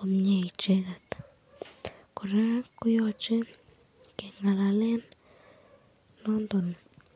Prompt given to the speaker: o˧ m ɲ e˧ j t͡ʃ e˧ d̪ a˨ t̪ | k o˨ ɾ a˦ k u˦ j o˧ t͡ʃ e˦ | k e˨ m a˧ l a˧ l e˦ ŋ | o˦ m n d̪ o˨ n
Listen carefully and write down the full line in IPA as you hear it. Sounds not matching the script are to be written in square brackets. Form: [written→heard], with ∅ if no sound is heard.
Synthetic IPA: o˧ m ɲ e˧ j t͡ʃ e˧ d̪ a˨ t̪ | k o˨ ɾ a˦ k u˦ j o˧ t͡ʃ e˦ | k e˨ [m→ŋ] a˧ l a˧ l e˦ [ŋ→n] | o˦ [m→∅] n d̪ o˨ n